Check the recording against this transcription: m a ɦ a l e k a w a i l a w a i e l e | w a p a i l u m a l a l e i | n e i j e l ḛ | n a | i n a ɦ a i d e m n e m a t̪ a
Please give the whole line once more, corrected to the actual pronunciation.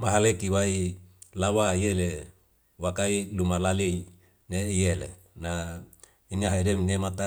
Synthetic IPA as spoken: m a ɦ a l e k i w a i l a w a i e l e | w a k a i l u m a l a l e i | n e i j e l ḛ | n a | i n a ɦ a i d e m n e m a t̪ a